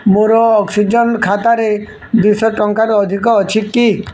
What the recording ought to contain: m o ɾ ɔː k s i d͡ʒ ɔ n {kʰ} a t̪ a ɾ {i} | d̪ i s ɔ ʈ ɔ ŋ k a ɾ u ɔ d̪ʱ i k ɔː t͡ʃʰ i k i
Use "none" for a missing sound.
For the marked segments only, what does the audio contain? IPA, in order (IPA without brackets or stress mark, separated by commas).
kʰ, e